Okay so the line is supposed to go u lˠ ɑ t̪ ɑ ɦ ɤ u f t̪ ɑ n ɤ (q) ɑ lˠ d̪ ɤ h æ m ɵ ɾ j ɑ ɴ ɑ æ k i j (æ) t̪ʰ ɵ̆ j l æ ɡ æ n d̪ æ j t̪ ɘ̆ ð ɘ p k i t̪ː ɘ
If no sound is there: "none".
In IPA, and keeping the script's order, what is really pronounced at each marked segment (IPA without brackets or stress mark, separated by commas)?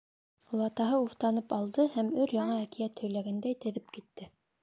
p, æ